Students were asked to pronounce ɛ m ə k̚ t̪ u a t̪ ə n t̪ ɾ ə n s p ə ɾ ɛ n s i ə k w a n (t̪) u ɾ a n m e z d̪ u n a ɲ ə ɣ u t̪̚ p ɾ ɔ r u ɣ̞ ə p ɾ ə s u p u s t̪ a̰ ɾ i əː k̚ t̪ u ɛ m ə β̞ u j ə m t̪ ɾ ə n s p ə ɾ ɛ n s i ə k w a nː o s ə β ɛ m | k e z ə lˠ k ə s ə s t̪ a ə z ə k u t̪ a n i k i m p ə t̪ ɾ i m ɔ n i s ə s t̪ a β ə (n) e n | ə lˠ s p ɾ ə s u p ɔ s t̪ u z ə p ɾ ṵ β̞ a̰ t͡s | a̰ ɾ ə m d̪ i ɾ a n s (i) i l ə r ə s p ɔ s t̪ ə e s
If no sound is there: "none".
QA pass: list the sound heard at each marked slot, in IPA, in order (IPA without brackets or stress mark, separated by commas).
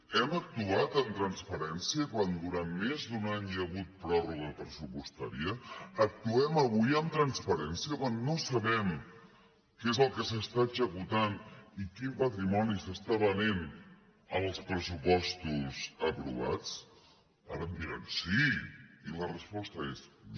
d̪, n, i